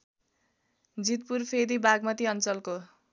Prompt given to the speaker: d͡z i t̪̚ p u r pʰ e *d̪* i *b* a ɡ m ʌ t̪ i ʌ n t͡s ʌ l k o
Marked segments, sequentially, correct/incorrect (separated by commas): correct, correct